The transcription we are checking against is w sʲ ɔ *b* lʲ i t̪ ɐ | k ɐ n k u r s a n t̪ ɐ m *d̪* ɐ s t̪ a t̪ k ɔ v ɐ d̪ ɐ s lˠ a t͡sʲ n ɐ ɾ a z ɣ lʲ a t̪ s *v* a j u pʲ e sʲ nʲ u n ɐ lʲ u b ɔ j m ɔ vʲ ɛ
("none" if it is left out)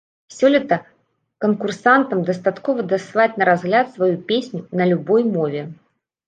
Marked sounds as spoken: none, d̪, v

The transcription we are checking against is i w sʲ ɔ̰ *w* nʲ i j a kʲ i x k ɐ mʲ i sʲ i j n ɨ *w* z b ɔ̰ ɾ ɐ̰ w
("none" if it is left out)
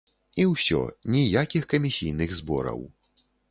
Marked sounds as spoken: none, ɣ

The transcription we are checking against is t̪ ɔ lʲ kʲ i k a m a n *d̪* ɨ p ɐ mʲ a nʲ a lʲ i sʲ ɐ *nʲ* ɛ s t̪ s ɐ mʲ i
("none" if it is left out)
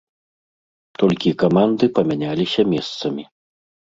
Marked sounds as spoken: d̪, mʲ

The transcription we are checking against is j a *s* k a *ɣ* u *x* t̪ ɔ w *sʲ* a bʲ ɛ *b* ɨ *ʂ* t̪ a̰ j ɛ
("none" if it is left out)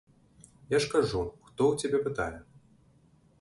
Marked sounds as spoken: ʂ, ʐ, x, t͡sʲ, p, none

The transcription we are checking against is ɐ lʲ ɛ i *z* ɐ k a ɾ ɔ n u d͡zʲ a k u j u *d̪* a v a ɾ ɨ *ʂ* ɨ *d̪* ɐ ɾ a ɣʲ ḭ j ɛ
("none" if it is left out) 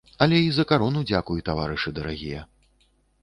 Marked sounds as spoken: z, t̪, ʂ, d̪

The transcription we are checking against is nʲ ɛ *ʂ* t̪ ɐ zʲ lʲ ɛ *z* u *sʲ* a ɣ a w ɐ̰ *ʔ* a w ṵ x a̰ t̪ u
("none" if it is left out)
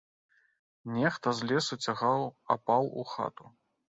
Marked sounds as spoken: x, s, t͡sʲ, p

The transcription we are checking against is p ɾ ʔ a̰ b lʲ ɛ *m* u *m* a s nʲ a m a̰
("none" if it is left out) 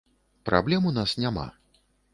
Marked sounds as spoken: m, n

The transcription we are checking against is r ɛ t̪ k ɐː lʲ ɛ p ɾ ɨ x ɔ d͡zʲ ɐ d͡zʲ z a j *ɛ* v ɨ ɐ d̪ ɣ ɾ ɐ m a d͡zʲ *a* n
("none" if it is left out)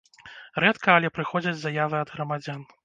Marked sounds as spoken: a, a

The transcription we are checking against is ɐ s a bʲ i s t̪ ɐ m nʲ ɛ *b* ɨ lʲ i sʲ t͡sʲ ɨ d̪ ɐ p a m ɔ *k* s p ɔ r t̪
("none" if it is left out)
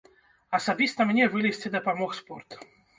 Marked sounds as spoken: v, x

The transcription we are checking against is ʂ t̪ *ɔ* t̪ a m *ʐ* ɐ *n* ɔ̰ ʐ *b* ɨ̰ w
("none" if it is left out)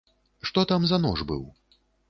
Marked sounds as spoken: ɔ, z, n, b

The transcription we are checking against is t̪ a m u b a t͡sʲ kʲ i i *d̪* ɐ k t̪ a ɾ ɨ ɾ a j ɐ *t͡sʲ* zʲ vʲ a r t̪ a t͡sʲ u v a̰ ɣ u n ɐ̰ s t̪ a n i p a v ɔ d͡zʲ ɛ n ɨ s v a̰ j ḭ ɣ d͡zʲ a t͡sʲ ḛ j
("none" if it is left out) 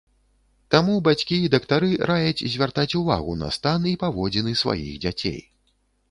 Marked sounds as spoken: d̪, t͡sʲ

